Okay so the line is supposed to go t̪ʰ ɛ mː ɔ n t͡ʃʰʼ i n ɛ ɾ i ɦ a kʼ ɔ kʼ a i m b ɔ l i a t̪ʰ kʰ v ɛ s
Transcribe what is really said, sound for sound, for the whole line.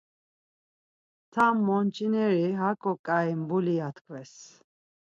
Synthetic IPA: t̪ʰ a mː ɔ n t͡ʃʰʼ i n ɛ ɾ i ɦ a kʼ ɔ kʼ a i m b u l i a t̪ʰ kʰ v ɛ s